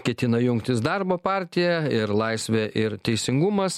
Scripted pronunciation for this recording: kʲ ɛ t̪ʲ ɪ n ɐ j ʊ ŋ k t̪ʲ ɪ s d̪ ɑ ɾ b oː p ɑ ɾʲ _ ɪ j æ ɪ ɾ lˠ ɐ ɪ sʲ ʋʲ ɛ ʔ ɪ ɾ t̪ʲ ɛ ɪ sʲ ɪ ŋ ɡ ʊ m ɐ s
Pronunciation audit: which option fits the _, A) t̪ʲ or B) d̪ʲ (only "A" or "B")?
A